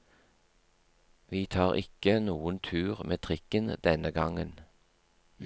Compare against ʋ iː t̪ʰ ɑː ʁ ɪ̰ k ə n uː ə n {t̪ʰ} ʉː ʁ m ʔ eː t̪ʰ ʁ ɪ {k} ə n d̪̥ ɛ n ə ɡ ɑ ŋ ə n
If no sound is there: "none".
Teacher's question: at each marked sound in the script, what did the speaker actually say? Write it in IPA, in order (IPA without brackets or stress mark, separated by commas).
t̪ʰ, k